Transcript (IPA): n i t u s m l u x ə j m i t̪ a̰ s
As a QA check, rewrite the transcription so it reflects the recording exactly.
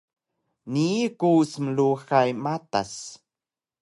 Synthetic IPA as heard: n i k u s m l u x a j m a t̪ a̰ s

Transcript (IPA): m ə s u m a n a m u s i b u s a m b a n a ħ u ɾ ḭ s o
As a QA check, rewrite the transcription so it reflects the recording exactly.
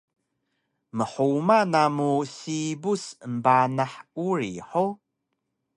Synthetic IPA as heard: m ə ħ u m a n a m u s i b u s ə m b a n a ħ u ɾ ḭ ħ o

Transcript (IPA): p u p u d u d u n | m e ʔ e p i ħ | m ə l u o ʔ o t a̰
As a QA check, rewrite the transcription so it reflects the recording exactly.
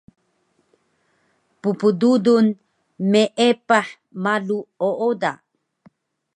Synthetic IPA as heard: p u p u d u d u n | m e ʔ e p a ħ | m a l u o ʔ o d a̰

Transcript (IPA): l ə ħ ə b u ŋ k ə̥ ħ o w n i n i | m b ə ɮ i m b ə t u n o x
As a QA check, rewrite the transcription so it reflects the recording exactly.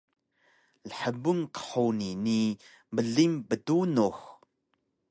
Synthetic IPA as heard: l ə ħ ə b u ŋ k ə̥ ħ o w n i n i | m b ə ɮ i m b ə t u n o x

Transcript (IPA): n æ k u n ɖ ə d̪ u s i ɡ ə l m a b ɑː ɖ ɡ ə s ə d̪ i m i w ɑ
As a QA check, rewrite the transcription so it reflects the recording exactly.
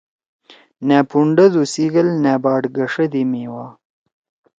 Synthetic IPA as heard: n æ p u ɳ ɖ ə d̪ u s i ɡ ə l n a b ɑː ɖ ɡ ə ʂ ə d̪ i m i w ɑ

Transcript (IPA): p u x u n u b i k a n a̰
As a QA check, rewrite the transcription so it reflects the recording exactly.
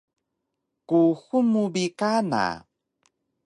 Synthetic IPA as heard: k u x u m u b i k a n a̰

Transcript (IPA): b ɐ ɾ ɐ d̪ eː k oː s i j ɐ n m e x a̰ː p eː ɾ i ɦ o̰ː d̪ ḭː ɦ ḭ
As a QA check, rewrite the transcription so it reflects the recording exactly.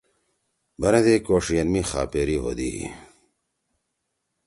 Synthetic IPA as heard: b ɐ ɾ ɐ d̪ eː k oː ʂ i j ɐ n m i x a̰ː p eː ɾ i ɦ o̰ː d̪ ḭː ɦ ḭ

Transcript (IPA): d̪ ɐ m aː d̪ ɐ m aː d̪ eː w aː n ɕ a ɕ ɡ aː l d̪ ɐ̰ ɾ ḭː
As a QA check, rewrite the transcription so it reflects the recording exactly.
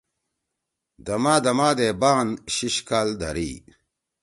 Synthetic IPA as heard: d̪ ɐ m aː d̪ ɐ m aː d̪ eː b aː n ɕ i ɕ k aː l d̪ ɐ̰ ɾ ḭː

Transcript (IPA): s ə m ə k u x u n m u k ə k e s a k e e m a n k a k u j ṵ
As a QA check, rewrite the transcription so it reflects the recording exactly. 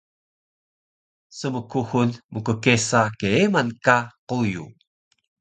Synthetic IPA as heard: s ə m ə k u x u n m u k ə k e s a k e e m a n k a q u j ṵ

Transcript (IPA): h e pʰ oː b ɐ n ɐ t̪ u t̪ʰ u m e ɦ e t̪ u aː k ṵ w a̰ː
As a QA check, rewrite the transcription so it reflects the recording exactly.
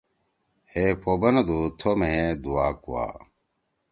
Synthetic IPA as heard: h e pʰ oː b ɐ n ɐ d̪ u t̪ʰ o m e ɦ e d̪ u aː k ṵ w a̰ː

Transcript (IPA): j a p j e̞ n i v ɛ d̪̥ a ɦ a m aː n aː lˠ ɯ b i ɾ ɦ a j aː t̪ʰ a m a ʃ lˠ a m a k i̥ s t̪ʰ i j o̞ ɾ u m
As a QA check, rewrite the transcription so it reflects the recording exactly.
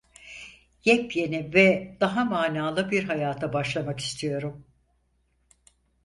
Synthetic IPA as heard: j ɛ p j e̞ n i v ɛ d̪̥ a ɦ a m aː n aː lˠ ɯ b i ɾ ɦ a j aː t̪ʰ a b a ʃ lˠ a m a k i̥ s t̪ʰ i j o̞ ɾ u m

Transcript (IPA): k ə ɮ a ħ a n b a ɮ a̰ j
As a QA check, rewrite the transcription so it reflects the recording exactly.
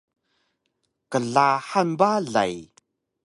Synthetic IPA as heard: k ə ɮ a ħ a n b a ɮ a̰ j

